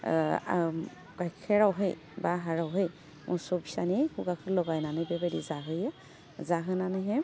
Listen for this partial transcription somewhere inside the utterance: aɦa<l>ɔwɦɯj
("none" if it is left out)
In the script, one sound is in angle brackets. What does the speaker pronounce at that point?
ɹ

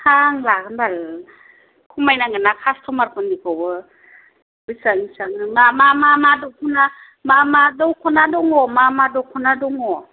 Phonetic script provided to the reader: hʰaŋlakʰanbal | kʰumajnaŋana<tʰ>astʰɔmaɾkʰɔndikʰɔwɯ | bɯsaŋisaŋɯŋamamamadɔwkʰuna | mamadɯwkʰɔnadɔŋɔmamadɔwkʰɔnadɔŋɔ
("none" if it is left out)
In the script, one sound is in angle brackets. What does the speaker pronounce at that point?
kʰ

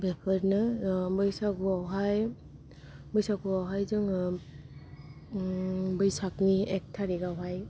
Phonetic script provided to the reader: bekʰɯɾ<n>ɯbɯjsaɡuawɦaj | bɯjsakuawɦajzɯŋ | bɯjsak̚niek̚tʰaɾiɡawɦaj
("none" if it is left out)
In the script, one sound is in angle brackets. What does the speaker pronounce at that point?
n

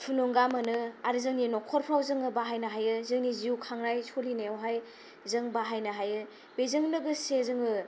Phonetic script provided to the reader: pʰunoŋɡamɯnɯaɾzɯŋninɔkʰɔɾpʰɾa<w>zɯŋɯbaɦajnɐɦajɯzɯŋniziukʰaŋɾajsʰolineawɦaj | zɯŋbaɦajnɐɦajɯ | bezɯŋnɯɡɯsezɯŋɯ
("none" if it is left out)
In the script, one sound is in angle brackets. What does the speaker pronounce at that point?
w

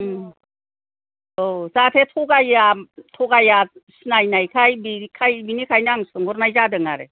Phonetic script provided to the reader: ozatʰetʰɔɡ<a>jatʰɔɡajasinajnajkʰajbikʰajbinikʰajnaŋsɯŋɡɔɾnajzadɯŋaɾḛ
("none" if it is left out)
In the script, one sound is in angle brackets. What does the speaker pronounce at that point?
a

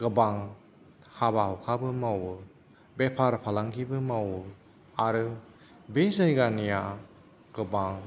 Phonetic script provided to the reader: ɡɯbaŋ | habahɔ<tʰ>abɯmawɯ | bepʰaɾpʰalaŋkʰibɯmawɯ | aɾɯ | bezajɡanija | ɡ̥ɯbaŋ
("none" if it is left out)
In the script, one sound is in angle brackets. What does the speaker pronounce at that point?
kʰ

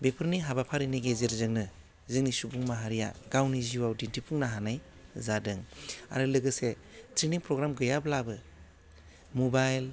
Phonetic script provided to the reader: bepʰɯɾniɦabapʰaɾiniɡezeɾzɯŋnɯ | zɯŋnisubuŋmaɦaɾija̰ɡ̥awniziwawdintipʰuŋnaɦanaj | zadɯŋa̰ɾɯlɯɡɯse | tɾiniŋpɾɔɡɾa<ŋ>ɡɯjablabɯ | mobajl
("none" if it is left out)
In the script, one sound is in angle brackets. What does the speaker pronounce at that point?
m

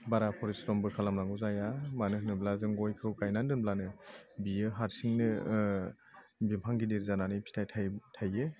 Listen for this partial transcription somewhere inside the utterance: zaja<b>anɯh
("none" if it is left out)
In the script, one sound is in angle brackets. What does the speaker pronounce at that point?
m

